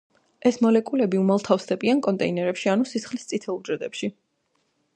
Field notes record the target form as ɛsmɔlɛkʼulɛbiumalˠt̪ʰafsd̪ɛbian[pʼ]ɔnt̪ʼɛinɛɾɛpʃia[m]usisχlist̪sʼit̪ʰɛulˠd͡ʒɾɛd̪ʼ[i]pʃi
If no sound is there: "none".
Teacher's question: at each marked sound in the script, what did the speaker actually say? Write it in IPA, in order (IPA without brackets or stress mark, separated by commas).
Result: kʼ, n, ɛ